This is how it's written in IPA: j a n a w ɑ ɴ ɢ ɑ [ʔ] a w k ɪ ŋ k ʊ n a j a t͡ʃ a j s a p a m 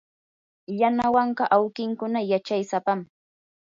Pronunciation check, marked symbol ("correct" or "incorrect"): correct